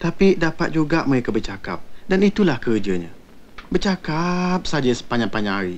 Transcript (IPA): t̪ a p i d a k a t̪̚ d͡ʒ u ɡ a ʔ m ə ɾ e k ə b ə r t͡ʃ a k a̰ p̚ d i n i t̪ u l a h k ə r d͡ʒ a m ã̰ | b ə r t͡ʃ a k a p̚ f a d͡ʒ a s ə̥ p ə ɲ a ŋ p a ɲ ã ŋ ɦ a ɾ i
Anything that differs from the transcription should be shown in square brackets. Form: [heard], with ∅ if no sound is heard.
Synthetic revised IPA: t̪ a p i d a [p] a t̪̚ d͡ʒ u ɡ a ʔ m ə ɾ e k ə b ə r t͡ʃ a k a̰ p̚ d [a] n i t̪ u l a h k ə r d͡ʒ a [ɲ] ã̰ | b ə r t͡ʃ a k a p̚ [s] a d͡ʒ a s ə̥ p [a] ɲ a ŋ p a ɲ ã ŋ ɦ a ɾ i